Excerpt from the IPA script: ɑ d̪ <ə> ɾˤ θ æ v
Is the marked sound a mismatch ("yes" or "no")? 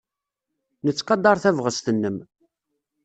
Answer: yes